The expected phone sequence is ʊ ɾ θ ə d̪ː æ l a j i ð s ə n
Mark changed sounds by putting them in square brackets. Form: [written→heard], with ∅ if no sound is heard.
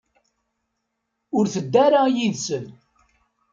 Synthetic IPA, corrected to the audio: ʊ ɾ θ ə d̪ː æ [l→ɾ] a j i ð s ə n